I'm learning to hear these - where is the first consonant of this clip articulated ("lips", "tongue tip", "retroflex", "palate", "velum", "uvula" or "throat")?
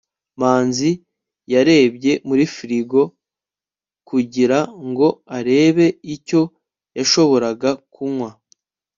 lips